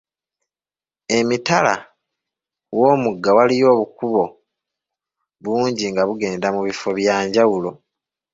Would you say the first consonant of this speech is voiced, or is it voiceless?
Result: voiced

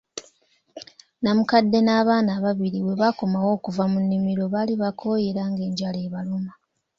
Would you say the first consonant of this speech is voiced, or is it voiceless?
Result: voiced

